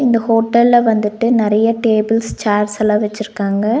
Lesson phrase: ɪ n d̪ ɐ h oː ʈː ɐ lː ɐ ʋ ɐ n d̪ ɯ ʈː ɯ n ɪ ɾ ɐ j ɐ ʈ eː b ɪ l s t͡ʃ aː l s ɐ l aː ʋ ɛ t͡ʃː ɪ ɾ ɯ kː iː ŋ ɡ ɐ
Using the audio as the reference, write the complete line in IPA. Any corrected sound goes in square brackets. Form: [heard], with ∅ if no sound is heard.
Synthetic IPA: ɪ n d̪ ɐ h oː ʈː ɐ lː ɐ ʋ ɐ n d̪ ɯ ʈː ɯ n ɪ ɾ ɐ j ɐ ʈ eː b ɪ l s t͡ʃ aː [ɾ] s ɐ l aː ʋ ɛ t͡ʃː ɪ ɾ ɯ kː [aː] ŋ ɡ ɐ

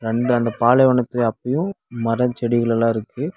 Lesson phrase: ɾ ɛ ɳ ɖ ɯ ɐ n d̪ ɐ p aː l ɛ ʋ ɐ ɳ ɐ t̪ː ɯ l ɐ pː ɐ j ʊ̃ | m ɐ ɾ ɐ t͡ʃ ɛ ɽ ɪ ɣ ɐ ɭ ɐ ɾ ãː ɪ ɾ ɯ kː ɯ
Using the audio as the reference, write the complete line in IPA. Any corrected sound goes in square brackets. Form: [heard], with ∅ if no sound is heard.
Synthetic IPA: ɾ ɛ ɳ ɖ ɯ ɐ n d̪ ɐ p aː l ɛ ʋ ɐ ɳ ɐ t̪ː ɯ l ɐ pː ɐ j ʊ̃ | m ɐ ɾ ɐ t͡ʃ ɛ ɽ ɪ ɣ ɐ ɭ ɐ [l] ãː ɪ ɾ ɯ kː ɯ

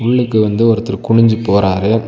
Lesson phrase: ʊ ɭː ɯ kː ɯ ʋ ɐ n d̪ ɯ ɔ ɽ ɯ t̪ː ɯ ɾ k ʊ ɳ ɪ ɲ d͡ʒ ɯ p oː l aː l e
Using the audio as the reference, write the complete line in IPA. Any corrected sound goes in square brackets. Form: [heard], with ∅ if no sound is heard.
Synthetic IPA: ʊ ɭː ɯ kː ɯ ʋ ɐ n d̪ ɯ ɔ [ɾ] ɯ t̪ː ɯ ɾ k ʊ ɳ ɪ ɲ d͡ʒ ɯ p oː [ɾ] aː [ɾ] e

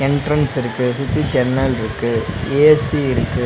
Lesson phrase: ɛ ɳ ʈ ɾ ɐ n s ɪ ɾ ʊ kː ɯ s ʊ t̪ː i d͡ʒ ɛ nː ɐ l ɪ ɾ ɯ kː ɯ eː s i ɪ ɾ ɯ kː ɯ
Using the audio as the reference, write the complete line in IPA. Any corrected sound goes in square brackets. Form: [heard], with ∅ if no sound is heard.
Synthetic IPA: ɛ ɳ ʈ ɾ ɐ n s ɪ ɾ [ɯ] kː ɯ s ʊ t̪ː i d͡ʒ ɛ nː ɐ l ɪ ɾ ɯ kː ɯ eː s i ɪ ɾ ɯ kː ɯ

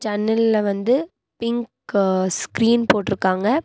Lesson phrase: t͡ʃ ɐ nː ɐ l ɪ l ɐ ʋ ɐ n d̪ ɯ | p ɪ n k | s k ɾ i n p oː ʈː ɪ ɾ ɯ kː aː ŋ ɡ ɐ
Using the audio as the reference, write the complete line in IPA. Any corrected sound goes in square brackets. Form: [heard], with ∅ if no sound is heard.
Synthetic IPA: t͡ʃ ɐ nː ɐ l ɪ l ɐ ʋ ɐ n d̪ ɯ | p ɪ [ŋ] k | s k ɾ [iː] n p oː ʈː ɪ ɾ ɯ kː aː ŋ ɡ ɐ

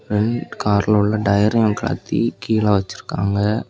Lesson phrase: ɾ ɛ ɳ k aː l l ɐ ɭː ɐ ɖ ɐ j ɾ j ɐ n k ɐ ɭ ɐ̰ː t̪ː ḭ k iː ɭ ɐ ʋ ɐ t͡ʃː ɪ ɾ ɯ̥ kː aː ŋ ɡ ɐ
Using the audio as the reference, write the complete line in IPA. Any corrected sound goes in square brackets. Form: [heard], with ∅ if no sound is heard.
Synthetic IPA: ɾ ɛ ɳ k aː [ɾ] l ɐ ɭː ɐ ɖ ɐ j ɾ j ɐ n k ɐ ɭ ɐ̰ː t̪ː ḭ k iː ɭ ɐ ʋ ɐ t͡ʃː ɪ ɾ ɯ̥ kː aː ŋ ɡ ɐ

